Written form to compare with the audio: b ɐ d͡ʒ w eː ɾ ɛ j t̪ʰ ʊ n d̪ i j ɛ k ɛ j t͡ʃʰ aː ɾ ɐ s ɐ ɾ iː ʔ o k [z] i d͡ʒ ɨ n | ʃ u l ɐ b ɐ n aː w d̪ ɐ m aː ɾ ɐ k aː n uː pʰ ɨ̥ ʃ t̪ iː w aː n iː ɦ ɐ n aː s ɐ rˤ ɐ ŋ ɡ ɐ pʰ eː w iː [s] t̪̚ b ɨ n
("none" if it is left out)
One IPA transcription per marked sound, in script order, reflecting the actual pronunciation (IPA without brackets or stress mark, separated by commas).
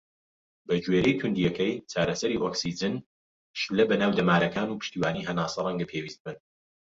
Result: s, s